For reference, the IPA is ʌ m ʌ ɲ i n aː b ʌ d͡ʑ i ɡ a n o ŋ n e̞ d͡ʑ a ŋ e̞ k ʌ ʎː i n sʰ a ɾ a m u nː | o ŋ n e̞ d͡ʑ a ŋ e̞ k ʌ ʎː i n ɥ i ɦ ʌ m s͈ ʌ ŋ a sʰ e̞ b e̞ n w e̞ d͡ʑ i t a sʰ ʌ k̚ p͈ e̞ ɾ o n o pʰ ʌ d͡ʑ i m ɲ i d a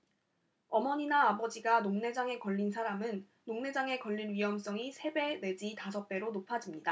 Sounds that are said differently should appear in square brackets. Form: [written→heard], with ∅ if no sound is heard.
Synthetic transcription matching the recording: ʌ m ʌ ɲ i n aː b ʌ d͡ʑ i ɡ a n o ŋ n e̞ d͡ʑ a ŋ e̞ k ʌ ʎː i n sʰ a ɾ a m [u→ɯ] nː | o ŋ n e̞ d͡ʑ a ŋ e̞ k ʌ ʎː i n ɥ i ɦ ʌ m s͈ ʌ ŋ [a→i] sʰ e̞ b e̞ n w e̞ d͡ʑ i t a sʰ ʌ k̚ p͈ e̞ ɾ o n o pʰ [ʌ→a] d͡ʑ i m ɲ i d a